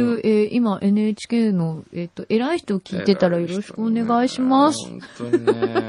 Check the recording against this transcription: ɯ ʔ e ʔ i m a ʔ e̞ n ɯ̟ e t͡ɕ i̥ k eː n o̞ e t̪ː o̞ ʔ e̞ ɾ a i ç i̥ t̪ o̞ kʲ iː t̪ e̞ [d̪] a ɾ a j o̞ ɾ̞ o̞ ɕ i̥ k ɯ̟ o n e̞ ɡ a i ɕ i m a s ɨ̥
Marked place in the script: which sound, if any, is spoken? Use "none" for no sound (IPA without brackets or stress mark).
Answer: t̪